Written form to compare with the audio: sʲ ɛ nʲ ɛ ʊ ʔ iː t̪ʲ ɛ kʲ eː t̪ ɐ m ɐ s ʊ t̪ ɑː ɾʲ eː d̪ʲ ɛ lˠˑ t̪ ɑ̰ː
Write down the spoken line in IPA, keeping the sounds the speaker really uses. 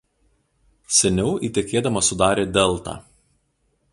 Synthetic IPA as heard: sʲ ɛ nʲ ɛ ʊ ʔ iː t̪ʲ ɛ kʲ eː d̪ ɐ m ɐ s ʊ d̪ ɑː ɾʲ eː d̪ʲ ɛ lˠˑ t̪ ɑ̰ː